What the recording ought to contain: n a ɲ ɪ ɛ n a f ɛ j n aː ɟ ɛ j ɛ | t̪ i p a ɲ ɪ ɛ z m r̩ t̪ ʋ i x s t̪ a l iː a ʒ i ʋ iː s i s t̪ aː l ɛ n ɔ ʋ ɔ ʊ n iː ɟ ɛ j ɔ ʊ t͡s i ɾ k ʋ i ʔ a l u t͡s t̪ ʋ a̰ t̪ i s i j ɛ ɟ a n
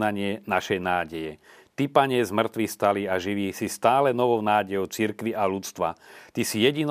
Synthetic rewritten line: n a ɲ ɪ ɛ n a ʃ ɛ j n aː ɟ ɛ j ɛ | t̪ i p a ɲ ɪ ɛ z m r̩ t̪ ʋ i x s t̪ a l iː a ʒ i ʋ iː s i s t̪ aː l ɛ n ɔ ʋ ɔ ʊ n aː ɟ ɛ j ɔ ʊ t͡s i ɾ k ʋ i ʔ a l u t͡s t̪ ʋ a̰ t̪ i s i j ɛ ɟ i n